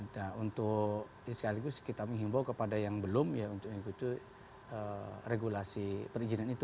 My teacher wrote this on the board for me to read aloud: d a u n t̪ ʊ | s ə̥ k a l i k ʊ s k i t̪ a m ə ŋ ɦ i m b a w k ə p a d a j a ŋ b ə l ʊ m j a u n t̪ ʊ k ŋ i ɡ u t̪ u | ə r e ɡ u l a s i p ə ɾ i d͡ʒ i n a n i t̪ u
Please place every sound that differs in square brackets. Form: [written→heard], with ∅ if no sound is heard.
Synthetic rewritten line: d a u n t̪ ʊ | s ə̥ k a l i [k→ɡ] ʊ s k i t̪ a m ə ŋ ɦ i m b a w k ə p a d a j a ŋ b ə l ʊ m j a u n t̪ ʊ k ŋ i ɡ u t̪ u | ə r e ɡ u l a s i p ə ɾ i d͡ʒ i n a n i t̪ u